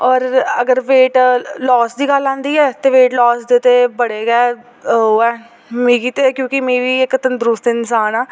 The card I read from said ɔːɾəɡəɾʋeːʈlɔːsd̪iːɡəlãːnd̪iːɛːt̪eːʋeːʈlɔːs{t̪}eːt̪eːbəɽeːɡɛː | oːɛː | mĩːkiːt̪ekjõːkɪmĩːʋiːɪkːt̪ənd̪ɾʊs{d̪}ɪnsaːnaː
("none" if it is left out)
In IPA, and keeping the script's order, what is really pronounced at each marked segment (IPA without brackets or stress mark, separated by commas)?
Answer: d̪, t̪